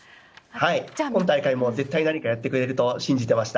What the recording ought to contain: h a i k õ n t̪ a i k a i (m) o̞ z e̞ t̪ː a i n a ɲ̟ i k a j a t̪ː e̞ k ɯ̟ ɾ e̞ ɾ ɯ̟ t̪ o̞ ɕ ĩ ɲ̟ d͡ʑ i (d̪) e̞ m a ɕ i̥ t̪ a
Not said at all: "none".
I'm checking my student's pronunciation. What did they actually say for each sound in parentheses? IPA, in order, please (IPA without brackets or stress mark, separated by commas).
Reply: m, t̪